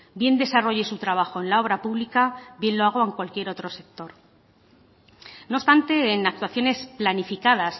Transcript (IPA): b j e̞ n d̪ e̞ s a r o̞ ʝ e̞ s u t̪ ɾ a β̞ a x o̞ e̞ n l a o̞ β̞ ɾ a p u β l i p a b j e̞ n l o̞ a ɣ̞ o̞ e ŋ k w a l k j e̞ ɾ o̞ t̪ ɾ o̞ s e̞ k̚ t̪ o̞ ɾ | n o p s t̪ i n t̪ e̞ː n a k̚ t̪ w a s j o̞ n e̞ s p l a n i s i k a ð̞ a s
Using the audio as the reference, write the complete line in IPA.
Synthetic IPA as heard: b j e̞ n d̪ e̞ s a r o̞ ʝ e̞ s u t̪ ɾ a β̞ a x o̞ e̞ n l a o̞ β̞ ɾ a p u β l i k a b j e̞ n l o̞ a ɣ̞ o̞ e ŋ k w a l k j e̞ ɾ o̞ t̪ ɾ o̞ s e̞ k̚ t̪ o̞ ɾ | n o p s t̪ a n t̪ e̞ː n a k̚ t̪ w a θ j o̞ n e̞ s p l a n i f i k a ð̞ a s